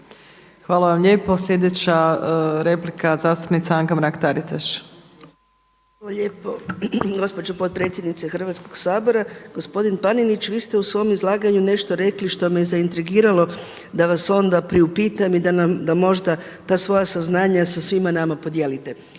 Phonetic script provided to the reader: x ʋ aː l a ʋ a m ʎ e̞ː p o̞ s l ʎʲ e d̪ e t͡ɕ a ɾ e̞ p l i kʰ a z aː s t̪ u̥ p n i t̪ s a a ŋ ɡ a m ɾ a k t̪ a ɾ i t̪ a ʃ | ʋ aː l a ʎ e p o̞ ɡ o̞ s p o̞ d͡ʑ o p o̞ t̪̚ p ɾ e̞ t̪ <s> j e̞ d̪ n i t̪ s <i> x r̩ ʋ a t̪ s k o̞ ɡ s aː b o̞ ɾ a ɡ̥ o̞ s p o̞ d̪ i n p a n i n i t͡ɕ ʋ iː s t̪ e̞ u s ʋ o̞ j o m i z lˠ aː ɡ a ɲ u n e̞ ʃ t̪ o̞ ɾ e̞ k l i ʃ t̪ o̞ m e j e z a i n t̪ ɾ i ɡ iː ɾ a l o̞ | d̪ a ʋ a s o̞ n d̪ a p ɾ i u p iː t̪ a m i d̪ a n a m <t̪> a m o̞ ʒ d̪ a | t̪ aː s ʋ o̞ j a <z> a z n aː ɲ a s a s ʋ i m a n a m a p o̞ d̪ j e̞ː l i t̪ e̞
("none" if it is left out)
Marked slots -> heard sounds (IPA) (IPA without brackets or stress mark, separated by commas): s, e, d̪, s